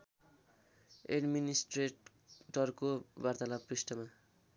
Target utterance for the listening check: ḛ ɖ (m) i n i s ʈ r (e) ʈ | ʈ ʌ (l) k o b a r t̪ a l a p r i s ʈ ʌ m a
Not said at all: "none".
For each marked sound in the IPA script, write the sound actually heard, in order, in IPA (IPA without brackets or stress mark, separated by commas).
m, e, r